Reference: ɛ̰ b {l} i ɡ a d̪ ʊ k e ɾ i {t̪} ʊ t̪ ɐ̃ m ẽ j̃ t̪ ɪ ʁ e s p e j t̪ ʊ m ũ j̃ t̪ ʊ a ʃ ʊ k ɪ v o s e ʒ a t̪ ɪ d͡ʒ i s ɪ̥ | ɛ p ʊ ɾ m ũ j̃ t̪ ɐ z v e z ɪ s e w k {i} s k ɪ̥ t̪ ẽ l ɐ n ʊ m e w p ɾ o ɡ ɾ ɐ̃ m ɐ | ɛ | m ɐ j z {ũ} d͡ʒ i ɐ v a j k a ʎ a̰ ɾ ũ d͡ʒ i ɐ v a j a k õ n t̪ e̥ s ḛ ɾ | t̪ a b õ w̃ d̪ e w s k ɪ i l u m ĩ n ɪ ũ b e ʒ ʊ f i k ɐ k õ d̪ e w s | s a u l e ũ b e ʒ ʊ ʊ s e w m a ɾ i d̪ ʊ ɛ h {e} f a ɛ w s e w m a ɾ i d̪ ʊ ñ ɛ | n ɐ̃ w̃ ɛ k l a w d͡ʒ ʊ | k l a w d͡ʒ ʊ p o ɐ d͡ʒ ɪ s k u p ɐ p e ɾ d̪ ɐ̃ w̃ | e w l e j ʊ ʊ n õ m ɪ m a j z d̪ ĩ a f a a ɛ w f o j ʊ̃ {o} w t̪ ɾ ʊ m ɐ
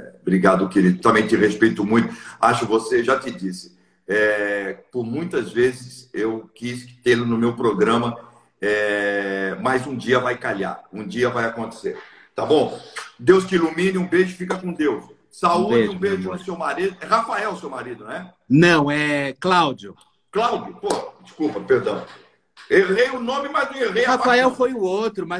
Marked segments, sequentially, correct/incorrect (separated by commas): incorrect, incorrect, correct, correct, incorrect, correct